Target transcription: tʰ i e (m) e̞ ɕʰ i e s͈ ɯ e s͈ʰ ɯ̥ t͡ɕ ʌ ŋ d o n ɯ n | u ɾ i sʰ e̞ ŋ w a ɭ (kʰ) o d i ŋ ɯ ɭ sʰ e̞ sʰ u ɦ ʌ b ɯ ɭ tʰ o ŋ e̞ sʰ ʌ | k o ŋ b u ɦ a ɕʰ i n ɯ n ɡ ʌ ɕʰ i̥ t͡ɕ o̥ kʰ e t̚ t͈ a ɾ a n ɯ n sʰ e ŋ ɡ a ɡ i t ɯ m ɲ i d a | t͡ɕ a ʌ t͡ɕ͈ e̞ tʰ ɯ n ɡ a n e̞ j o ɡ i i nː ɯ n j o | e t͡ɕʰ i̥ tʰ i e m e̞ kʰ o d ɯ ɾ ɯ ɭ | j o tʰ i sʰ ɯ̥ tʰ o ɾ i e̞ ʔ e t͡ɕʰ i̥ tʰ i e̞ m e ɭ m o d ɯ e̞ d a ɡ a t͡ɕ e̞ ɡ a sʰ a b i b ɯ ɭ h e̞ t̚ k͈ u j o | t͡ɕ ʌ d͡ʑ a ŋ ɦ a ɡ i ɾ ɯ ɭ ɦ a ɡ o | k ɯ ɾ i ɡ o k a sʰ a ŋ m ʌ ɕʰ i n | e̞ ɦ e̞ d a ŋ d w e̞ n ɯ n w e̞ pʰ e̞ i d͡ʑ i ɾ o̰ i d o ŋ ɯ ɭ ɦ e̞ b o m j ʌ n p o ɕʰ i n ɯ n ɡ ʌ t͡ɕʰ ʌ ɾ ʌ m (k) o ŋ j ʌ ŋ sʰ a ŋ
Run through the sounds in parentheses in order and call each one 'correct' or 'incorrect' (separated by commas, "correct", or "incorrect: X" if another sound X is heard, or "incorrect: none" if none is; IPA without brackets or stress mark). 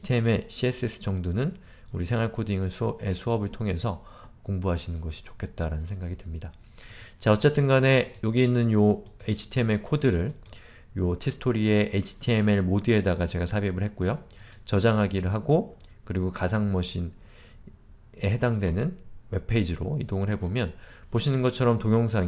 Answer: correct, correct, incorrect: t